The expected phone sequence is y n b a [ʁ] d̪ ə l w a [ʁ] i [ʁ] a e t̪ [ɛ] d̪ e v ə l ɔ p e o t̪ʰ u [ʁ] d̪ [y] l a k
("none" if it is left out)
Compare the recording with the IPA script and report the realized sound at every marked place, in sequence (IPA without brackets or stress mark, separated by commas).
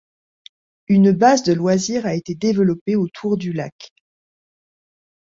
z, z, ʁ, e, ʁ, y